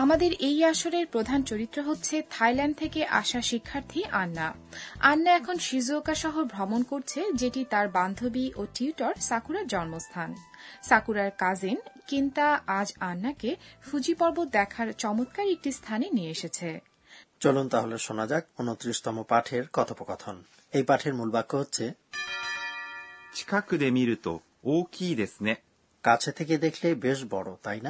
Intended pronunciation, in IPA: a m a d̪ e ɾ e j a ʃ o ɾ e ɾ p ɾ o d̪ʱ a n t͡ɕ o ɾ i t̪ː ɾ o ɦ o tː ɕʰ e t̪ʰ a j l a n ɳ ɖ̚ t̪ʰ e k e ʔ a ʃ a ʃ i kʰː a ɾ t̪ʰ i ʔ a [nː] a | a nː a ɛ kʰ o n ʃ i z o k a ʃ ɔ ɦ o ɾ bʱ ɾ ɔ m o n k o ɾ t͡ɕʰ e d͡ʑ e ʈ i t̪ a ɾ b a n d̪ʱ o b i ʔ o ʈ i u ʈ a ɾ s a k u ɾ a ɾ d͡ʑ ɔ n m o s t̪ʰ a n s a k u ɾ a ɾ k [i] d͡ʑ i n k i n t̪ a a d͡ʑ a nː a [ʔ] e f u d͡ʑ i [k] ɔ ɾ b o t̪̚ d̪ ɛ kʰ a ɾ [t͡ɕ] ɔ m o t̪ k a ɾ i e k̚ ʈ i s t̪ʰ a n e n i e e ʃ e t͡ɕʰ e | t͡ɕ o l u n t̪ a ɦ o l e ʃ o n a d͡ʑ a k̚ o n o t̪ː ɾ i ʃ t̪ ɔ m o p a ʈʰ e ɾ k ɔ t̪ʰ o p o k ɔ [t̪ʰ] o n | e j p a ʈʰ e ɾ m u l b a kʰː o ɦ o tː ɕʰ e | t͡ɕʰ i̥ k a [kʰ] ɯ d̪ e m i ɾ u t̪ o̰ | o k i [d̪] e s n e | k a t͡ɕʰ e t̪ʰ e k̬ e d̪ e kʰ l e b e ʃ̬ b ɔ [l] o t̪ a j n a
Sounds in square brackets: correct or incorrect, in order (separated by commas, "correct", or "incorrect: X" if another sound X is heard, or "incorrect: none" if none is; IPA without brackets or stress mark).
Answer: correct, incorrect: a, incorrect: k, incorrect: p, correct, correct, incorrect: k, correct, incorrect: ɽ